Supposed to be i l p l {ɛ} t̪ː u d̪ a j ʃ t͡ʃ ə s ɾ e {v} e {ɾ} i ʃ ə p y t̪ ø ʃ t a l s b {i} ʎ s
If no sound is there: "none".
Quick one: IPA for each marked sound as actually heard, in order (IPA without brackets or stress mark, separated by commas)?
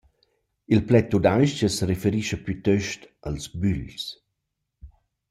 ɛ, f, ɾ, y